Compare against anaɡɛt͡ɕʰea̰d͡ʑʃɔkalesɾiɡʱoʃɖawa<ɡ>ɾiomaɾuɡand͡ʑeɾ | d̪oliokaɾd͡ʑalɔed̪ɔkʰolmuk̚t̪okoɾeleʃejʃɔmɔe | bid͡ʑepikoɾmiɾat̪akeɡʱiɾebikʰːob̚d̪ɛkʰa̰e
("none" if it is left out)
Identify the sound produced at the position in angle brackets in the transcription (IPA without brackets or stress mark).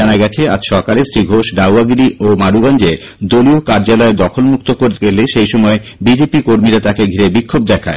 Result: ɡ